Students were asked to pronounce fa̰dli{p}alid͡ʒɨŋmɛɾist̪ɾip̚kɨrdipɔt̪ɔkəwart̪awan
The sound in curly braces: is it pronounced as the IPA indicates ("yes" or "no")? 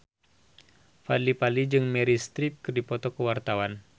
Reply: yes